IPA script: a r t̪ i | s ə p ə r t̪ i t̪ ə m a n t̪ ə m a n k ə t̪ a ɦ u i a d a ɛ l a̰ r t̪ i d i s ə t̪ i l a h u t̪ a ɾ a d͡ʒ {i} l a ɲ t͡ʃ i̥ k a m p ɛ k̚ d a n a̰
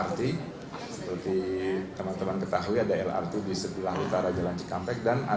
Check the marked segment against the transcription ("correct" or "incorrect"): incorrect